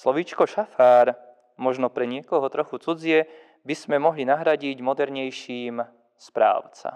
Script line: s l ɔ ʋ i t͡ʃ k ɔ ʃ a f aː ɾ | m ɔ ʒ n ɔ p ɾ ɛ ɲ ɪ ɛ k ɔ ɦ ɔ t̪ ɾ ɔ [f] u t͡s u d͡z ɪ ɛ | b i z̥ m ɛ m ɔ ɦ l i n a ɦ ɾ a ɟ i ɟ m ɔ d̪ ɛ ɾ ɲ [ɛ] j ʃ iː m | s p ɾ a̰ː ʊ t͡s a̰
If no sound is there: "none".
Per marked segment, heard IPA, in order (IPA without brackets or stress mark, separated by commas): x, ɛ